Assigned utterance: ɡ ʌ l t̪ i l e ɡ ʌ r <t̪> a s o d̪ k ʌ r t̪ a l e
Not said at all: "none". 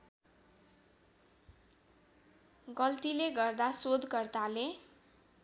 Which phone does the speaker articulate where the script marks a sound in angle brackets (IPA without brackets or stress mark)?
d̪